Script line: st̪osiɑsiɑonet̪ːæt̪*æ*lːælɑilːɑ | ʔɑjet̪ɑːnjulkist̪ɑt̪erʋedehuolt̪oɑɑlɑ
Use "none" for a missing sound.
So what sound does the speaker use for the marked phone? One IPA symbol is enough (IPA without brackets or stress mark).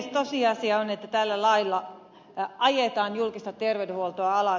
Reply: æ